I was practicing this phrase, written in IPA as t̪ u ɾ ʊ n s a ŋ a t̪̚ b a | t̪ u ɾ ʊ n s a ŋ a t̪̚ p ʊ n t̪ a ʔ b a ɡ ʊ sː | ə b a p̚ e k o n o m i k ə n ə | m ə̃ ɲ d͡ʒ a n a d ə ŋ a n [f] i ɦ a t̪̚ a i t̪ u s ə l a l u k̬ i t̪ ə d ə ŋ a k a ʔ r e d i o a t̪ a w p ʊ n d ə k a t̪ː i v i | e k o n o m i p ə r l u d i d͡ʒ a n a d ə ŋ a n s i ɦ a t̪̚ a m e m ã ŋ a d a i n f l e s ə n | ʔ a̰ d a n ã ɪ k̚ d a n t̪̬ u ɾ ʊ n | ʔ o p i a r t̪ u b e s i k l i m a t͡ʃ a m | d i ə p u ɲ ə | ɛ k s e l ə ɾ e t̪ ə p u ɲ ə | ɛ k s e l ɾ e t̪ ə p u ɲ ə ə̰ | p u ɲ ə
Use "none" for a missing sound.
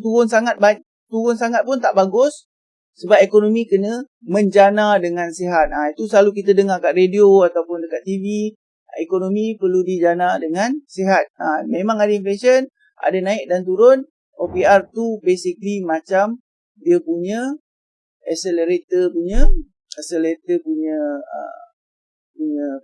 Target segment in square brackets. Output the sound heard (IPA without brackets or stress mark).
s